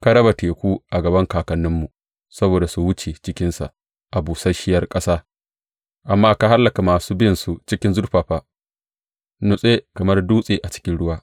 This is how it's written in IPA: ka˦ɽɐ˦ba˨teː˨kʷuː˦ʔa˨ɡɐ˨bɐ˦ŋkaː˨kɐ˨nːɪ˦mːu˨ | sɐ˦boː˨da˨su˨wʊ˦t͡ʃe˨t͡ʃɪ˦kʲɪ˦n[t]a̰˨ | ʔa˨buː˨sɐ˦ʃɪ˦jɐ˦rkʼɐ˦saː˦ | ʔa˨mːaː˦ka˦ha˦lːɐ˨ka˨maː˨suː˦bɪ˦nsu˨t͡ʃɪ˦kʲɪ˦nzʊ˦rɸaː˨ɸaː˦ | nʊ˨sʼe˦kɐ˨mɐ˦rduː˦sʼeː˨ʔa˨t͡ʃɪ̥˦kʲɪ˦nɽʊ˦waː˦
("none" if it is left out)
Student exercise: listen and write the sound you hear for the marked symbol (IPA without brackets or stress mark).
s